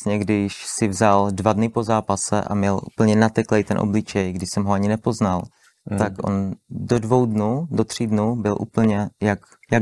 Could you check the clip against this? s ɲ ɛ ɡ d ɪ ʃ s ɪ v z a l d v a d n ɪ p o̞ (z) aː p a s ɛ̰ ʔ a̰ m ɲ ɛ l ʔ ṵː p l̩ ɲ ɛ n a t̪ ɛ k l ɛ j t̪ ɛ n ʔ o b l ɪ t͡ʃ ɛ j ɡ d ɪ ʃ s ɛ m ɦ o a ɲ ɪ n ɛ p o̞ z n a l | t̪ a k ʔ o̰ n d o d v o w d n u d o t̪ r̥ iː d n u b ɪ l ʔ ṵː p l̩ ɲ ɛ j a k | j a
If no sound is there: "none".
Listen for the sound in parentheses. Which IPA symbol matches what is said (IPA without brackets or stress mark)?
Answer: z